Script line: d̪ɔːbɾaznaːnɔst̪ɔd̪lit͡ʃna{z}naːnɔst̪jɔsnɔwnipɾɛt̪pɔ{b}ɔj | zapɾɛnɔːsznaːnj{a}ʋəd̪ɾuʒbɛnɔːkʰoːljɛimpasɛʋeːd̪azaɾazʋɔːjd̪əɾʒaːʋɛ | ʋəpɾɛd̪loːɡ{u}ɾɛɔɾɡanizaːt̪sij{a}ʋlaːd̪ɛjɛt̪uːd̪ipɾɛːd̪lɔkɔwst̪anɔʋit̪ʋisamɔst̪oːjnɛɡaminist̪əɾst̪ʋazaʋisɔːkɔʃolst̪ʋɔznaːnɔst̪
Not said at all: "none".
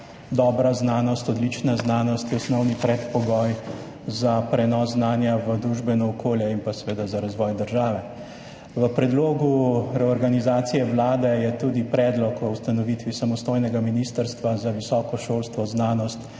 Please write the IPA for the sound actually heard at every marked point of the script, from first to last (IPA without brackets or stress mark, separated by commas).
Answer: z, ɡ, a, u, ɛ